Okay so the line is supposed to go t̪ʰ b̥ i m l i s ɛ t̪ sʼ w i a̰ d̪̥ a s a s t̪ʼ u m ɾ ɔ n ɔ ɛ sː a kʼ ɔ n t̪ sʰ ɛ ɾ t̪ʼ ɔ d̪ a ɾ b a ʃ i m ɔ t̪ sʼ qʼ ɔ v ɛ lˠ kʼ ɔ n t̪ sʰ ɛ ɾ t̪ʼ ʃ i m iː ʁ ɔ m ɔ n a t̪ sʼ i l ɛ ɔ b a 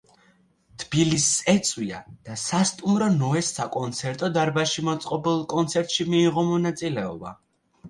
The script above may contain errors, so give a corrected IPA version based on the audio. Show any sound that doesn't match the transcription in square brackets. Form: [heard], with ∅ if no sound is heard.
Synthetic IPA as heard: t̪ʰ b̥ i [∅] l i s ɛ t̪ sʼ w i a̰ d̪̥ a s a s t̪ʼ u m ɾ ɔ n ɔ ɛ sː a kʼ ɔ n t̪ sʰ ɛ ɾ t̪ʼ ɔ d̪ a ɾ b a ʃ i m ɔ t̪ sʼ qʼ ɔ [b] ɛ lˠ kʼ ɔ n t̪ sʰ ɛ ɾ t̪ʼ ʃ i m iː ʁ ɔ m ɔ n a t̪ sʼ i l ɛ ɔ b a